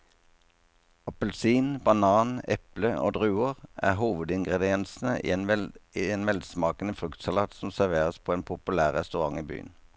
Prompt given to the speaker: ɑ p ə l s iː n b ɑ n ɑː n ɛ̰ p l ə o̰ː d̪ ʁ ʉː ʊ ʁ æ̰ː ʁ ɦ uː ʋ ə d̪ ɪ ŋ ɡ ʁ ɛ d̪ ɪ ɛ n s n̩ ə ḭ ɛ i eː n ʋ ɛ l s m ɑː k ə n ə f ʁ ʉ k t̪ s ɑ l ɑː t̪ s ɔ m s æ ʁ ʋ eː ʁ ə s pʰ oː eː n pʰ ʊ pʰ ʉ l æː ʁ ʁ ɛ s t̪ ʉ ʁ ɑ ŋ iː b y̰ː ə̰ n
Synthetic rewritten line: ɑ p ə l s iː n b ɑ n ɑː n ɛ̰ p l ə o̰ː d̪ ʁ ʉː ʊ ʁ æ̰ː ʁ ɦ uː ʋ ə d̪ ɪ ŋ ɡ ʁ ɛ d̪ ɪ ɛ n s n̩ ə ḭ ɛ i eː n ʋ ɛ l s m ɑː k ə n ə f ʁ ʉ k t̪ s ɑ l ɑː t̪ s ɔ m s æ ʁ ʋ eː ʁ ə s pʰ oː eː n pʰ ʊ p ʉ l æː ʁ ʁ ɛ s t̪ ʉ ʁ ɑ ŋ iː b y̰ː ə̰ n